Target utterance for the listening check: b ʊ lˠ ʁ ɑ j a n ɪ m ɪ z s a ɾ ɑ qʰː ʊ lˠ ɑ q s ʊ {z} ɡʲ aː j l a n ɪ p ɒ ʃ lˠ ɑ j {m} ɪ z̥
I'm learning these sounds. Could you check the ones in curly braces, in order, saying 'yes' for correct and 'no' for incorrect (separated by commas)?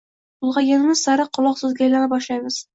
yes, yes